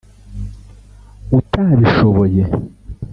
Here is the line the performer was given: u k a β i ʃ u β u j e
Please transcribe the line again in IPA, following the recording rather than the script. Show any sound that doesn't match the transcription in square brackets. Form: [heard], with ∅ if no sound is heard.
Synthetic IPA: u [t] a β i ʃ [o] β [o] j e